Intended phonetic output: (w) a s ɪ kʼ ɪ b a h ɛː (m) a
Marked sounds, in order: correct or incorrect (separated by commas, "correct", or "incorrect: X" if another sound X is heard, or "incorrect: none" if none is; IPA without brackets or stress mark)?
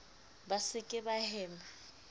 incorrect: b, correct